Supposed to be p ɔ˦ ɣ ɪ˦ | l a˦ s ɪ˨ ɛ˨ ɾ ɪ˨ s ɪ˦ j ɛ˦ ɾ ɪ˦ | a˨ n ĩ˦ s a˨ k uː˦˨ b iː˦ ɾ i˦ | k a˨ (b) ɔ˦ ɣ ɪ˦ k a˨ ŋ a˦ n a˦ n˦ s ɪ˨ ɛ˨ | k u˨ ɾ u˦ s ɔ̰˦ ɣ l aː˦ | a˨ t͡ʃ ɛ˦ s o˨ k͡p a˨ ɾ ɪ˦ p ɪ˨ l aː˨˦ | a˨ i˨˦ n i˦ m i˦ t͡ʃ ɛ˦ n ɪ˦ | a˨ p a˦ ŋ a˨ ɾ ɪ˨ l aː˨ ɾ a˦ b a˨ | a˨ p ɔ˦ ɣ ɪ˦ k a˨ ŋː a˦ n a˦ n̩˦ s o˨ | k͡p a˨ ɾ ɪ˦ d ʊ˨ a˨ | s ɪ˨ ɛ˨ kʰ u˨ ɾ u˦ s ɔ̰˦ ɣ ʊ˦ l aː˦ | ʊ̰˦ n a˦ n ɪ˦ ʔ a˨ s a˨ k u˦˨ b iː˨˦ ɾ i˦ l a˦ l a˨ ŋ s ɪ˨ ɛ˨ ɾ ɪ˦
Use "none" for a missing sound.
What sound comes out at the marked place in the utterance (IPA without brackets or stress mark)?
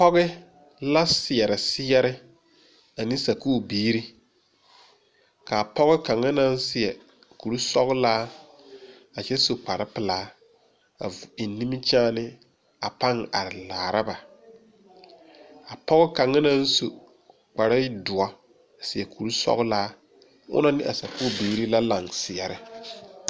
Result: p